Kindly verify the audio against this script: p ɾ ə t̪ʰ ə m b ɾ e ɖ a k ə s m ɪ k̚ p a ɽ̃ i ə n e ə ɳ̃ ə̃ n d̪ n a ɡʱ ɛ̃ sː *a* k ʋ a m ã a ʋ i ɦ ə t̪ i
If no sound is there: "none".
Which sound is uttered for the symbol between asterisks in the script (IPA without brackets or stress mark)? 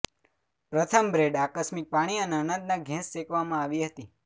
e